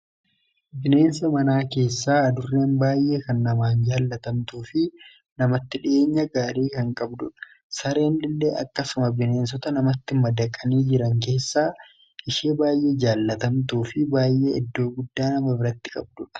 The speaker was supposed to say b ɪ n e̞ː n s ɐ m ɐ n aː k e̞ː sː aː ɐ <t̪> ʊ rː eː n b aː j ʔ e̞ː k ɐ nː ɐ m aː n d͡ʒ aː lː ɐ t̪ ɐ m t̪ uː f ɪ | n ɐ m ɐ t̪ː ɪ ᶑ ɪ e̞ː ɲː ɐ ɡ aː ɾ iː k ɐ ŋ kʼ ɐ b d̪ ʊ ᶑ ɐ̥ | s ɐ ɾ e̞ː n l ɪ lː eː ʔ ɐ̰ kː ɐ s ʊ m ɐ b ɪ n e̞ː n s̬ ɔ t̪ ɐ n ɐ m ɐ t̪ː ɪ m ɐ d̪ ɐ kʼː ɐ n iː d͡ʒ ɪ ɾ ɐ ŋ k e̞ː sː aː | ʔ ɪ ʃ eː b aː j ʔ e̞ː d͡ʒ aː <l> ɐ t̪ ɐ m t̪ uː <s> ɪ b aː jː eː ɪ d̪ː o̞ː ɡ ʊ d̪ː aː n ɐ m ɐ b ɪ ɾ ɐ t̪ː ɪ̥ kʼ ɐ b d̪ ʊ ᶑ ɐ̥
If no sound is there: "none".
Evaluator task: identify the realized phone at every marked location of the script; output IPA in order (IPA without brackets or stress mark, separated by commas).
d̪, lː, f